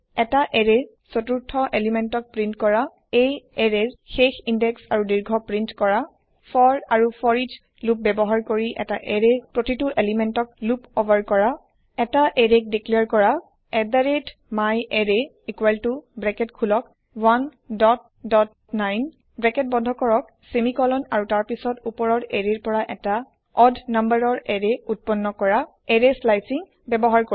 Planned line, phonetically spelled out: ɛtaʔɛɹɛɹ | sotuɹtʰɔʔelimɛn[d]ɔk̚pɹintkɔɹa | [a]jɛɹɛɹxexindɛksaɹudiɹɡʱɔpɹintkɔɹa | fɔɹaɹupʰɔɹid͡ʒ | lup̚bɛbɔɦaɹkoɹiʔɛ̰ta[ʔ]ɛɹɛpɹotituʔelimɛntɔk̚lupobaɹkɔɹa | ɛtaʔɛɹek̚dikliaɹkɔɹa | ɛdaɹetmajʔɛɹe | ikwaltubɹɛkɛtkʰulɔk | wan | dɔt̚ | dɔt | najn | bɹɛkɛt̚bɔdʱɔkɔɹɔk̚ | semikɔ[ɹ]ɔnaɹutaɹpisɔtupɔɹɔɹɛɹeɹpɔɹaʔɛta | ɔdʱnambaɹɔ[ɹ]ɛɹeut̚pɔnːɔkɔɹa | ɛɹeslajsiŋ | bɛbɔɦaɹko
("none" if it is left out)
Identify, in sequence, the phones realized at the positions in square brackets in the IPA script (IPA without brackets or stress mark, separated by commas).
t, e, ʔ, l, ɹ